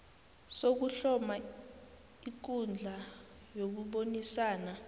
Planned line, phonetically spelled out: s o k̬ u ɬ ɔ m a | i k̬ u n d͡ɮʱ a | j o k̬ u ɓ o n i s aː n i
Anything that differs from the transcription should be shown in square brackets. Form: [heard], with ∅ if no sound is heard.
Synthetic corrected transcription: s o k̬ u ɬ ɔ m a | i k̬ u n d͡ɮʱ a | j o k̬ u ɓ o n i s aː n [a]